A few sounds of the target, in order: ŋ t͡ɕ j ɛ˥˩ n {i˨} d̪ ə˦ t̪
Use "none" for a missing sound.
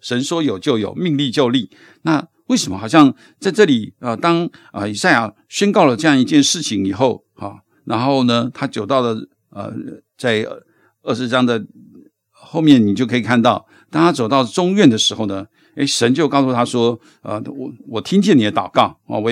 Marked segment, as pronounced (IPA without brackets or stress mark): i˨